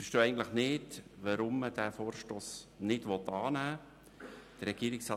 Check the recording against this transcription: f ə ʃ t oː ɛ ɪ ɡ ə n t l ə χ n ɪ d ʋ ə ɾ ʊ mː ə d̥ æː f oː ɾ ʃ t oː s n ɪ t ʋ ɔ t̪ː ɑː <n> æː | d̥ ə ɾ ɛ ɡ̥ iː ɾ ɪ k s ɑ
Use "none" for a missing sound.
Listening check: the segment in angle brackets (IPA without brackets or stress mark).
n